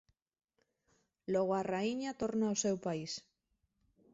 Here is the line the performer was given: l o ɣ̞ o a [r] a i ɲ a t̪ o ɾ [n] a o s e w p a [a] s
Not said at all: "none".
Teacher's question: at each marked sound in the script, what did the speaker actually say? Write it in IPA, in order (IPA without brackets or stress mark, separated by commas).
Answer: r, n, i